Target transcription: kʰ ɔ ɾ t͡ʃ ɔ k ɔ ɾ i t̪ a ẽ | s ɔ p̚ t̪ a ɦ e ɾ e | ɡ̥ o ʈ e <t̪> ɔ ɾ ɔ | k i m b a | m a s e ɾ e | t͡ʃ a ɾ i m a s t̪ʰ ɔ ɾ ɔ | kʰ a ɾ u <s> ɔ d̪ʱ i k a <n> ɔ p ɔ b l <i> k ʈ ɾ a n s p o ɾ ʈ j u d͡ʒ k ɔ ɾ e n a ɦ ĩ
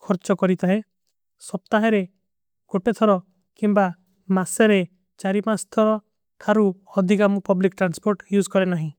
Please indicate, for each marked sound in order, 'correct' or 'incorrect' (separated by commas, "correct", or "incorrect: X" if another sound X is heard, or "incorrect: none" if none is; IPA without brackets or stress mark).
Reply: incorrect: t̪ʰ, incorrect: none, incorrect: m, correct